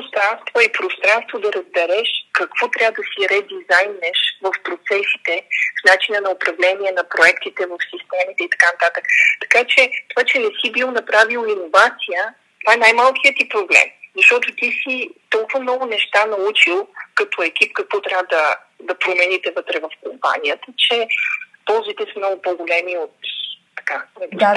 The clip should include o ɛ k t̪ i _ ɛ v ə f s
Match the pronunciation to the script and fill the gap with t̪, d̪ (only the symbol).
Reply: t̪